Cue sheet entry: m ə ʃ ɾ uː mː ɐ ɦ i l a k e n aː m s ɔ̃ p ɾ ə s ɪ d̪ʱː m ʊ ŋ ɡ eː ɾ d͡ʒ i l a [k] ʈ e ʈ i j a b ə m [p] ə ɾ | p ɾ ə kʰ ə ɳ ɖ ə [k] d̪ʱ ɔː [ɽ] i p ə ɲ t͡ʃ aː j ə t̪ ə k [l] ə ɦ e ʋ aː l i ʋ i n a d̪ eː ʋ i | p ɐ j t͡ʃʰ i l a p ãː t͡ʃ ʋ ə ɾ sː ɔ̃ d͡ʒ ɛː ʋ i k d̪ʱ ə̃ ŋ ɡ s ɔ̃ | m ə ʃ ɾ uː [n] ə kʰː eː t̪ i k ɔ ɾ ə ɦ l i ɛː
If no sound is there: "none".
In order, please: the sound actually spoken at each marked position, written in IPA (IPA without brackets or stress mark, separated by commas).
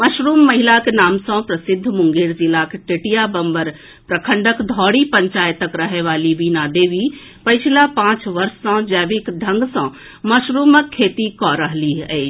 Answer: k, b, k, ɽ, ɾ, m